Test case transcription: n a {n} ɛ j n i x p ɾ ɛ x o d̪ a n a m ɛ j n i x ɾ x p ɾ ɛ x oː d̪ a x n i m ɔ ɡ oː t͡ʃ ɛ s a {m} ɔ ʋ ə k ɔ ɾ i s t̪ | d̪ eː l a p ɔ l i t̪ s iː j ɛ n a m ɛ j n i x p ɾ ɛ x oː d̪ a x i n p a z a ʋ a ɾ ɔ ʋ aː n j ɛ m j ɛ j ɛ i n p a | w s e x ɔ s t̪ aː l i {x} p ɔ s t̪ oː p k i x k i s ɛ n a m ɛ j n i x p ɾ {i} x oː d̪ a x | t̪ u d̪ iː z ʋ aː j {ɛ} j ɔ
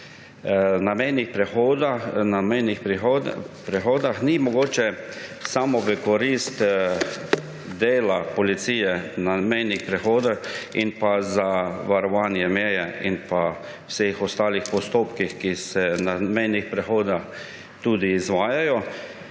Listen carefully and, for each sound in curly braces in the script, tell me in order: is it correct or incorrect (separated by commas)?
incorrect, correct, correct, incorrect, incorrect